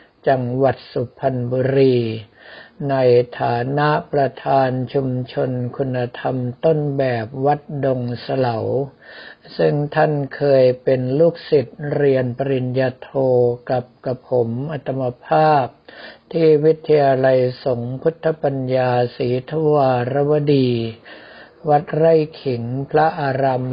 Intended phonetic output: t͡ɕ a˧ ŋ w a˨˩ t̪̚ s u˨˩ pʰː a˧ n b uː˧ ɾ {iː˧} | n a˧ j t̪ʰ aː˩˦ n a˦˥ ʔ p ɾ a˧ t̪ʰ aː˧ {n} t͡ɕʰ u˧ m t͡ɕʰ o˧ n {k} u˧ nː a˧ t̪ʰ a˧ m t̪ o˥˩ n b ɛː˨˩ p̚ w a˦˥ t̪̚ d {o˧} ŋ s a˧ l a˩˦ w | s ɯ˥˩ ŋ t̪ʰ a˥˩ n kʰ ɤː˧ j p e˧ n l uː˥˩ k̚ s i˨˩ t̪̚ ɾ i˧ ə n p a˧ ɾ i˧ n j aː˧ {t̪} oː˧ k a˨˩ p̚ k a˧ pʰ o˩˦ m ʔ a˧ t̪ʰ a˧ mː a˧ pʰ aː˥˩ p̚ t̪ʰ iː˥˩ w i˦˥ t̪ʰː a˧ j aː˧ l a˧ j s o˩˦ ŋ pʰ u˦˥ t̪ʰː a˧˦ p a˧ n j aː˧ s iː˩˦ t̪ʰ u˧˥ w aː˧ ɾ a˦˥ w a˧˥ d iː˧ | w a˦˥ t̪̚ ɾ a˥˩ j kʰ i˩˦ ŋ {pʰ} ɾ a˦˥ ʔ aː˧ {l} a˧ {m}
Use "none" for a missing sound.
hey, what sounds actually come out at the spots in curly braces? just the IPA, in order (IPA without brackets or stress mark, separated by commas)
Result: iː˧, n, kʰ, o˧, t̪ʰ, pʰ, ɾ, m